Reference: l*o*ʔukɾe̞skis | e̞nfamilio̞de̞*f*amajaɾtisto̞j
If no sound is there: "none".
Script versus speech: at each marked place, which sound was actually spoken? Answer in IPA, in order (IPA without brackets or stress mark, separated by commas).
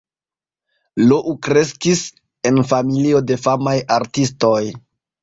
o, f